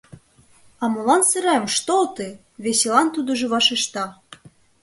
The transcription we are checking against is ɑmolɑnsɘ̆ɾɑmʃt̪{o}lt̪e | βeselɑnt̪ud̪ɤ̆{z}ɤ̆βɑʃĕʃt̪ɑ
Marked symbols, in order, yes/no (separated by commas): yes, no